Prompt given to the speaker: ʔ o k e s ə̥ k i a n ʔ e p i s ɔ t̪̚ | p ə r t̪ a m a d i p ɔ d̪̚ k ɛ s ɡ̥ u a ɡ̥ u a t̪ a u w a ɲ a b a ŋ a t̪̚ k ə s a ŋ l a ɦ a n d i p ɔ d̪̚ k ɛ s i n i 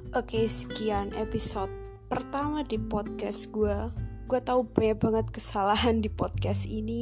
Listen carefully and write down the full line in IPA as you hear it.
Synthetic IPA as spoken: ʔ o k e s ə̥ k i a n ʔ e p i s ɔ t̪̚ | p ə r t̪ a m a d i p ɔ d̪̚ k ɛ s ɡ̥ u a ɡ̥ u a t̪ a u b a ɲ a b a ŋ ə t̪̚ k ə s a l a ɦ a n d i p ɔ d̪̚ k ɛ s i n i